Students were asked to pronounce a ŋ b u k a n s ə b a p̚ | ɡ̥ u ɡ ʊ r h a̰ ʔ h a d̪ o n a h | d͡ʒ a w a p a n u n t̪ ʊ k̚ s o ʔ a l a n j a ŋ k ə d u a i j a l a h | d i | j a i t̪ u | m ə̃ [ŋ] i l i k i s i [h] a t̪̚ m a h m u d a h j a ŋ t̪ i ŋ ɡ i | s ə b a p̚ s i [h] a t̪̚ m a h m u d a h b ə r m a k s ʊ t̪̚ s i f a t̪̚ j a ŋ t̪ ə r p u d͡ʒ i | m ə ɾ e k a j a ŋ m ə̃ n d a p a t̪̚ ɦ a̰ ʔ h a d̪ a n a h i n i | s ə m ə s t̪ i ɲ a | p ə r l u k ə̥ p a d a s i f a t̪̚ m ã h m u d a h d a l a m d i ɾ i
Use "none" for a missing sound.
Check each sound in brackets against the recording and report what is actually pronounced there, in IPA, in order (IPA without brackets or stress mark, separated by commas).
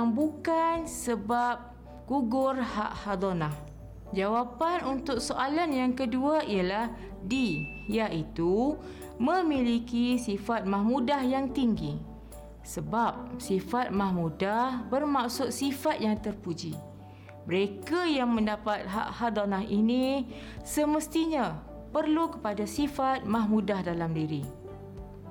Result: m, f, f